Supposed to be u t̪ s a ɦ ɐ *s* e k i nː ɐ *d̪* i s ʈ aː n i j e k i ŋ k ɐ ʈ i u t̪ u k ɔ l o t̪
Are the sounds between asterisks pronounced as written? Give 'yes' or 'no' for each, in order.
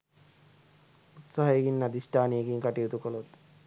no, yes

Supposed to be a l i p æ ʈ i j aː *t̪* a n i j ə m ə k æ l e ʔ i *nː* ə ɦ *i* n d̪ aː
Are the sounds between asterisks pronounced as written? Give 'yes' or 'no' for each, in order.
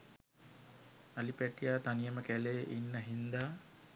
yes, yes, yes

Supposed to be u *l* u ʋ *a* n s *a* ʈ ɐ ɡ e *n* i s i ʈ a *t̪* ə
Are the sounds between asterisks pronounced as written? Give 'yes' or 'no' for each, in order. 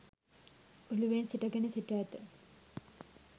yes, no, no, yes, yes

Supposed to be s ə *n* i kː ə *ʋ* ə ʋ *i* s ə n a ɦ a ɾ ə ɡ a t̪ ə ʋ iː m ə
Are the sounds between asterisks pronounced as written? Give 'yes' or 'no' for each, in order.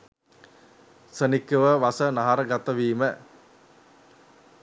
yes, yes, no

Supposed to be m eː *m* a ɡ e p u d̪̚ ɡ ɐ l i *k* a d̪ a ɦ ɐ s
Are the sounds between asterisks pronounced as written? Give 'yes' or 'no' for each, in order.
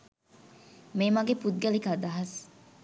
yes, yes

